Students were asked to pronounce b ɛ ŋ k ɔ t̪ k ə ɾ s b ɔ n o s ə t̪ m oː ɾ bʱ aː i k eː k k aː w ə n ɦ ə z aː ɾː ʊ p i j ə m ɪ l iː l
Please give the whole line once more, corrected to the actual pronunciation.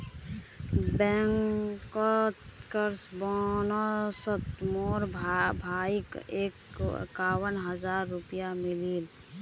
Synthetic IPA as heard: b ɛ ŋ k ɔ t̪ k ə ɾ s b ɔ n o s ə t̪ m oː ɾ bʱ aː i k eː k k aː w ə n ɦ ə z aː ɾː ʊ p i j a m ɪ l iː l